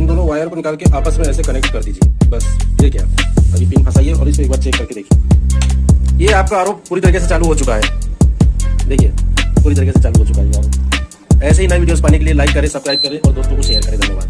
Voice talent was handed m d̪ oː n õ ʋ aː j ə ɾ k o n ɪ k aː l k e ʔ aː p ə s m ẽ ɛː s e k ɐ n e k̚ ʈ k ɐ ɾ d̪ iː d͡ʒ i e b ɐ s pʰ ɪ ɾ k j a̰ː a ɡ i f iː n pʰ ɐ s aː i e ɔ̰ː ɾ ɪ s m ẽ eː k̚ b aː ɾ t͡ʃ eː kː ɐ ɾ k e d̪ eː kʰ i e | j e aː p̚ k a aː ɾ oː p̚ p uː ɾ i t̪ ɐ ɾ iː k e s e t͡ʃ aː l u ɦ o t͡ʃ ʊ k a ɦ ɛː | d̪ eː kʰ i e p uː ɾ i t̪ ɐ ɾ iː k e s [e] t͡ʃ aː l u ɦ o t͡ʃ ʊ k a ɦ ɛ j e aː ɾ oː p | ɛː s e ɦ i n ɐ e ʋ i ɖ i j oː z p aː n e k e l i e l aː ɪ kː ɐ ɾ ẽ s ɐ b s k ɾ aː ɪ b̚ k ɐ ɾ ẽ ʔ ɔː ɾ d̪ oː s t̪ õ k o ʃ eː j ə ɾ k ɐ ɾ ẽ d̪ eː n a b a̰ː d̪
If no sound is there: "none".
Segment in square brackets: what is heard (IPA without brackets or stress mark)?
e